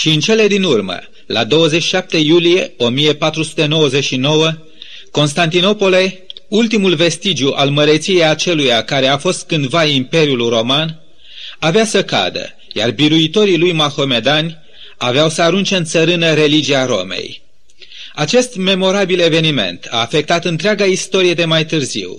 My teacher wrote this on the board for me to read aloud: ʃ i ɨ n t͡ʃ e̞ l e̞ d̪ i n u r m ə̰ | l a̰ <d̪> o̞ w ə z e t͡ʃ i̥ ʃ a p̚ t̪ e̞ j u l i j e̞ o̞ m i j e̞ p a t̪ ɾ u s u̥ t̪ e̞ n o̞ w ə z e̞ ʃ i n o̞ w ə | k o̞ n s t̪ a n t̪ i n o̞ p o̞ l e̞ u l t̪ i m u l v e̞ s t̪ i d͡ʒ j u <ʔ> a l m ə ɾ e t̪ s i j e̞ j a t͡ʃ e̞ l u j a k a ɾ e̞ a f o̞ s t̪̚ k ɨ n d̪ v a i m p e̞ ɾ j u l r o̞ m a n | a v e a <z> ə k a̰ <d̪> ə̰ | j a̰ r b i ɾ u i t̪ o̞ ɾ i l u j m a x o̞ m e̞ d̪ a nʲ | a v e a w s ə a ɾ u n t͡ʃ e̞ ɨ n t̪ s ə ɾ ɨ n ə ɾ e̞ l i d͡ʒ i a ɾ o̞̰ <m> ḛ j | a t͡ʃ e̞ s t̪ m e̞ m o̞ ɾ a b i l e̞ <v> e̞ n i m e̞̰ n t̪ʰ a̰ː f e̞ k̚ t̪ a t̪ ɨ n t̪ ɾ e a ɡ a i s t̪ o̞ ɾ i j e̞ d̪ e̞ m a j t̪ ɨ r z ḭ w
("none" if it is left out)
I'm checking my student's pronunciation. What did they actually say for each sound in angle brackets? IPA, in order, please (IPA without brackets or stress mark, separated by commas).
d̪, ʔ, s, d̪, m, v